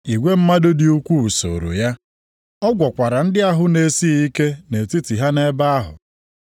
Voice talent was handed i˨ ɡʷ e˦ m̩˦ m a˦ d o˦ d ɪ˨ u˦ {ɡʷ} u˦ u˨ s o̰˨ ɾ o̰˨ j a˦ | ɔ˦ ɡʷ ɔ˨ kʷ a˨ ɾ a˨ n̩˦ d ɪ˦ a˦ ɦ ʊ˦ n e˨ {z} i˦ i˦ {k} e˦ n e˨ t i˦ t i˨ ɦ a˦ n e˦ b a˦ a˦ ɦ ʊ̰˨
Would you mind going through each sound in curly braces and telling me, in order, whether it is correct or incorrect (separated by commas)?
incorrect, incorrect, correct